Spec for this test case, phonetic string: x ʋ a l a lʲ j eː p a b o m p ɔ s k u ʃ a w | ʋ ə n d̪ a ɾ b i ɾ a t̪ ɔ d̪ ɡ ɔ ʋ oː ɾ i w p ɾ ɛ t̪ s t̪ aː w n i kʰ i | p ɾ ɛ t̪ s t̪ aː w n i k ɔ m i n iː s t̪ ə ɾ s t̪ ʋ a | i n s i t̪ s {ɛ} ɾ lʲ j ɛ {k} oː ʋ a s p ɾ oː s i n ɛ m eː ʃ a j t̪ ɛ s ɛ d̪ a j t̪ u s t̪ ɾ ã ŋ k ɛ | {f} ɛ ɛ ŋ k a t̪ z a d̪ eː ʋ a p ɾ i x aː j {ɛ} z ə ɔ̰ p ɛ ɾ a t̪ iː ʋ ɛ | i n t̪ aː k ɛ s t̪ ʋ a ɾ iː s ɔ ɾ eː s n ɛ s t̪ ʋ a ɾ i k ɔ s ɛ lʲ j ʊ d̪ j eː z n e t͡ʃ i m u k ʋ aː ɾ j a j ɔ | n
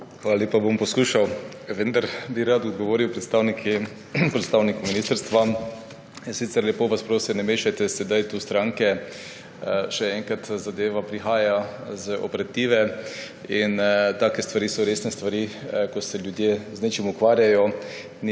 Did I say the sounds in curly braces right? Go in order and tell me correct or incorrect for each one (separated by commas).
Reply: correct, incorrect, incorrect, incorrect